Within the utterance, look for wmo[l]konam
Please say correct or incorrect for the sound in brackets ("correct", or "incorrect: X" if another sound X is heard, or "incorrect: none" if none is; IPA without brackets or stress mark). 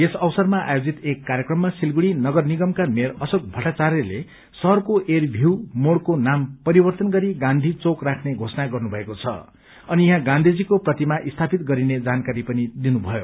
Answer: incorrect: ɽ